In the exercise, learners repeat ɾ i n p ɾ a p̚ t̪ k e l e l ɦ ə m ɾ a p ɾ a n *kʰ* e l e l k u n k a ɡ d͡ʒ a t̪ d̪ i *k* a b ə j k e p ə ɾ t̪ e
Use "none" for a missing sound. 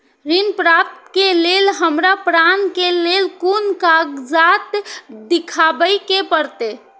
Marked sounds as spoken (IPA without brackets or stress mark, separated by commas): k, kʰ